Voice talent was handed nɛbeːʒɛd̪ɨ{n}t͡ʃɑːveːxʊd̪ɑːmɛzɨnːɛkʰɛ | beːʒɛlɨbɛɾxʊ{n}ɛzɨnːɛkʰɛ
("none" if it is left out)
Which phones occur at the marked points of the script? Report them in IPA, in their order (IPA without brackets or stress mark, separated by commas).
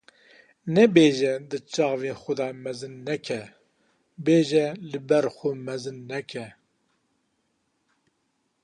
none, m